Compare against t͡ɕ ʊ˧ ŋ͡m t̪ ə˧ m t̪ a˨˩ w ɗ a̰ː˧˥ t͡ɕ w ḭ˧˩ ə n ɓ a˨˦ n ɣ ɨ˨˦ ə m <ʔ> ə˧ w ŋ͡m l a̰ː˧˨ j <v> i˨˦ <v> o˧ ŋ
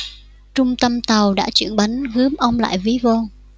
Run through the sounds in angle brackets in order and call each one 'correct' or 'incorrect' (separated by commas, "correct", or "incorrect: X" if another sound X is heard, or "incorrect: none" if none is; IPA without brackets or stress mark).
correct, correct, correct